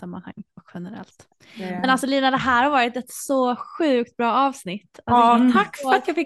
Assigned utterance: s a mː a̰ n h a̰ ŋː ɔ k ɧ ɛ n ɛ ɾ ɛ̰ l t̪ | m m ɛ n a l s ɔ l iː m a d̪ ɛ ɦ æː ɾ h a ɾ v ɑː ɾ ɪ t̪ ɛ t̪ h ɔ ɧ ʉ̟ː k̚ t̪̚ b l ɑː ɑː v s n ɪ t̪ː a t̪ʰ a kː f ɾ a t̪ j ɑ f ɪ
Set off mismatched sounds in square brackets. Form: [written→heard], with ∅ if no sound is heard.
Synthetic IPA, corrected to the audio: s a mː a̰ n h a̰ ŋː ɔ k ɧ ɛ n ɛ ɾ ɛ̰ l t̪ | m m ɛ n a l s ɔ l iː [m→n] a d̪ ɛ ɦ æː ɾ h a ɾ v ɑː ɾ ɪ t̪ ɛ t̪ [h→s] ɔ ɧ ʉ̟ː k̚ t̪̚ b [l→ɾ] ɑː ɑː v s n ɪ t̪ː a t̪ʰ a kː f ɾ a t̪ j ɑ f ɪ